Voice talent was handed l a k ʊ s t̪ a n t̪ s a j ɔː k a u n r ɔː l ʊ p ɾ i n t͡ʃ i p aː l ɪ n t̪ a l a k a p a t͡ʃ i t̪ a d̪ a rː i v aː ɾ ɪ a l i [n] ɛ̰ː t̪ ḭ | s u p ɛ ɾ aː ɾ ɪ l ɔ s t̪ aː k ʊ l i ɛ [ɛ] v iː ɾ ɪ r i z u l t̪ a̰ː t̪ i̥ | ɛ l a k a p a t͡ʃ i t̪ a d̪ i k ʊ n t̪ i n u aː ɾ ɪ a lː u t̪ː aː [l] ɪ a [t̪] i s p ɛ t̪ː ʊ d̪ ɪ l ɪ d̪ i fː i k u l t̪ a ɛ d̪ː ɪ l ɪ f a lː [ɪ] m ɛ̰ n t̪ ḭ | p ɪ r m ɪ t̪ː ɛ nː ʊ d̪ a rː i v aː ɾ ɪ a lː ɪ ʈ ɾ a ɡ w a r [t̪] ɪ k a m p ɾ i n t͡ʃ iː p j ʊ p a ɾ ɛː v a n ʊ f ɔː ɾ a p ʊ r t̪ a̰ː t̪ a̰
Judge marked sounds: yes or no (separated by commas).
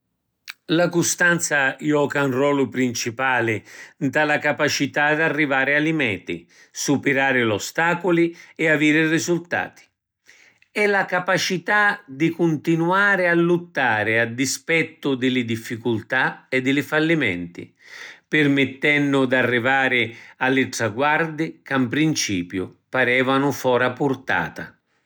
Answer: no, no, no, no, no, no